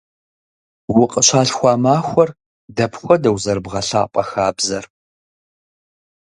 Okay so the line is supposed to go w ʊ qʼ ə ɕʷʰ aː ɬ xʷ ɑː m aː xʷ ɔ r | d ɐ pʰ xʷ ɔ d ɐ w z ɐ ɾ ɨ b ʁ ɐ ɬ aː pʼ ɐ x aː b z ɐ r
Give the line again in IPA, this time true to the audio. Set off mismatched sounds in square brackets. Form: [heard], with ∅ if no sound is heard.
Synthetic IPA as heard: w ʊ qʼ ə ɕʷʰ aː ɬ xʷ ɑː m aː xʷ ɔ r | d ɐ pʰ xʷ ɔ d ɐ w z ɐ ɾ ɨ b ʁ ɐ ɬ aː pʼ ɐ x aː b z ɐ r